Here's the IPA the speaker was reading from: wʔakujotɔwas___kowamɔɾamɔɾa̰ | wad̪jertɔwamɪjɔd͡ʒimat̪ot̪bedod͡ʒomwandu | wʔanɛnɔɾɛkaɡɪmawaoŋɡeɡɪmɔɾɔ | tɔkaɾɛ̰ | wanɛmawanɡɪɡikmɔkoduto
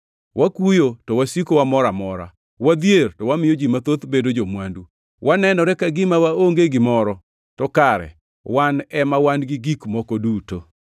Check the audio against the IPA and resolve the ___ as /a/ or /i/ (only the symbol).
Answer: i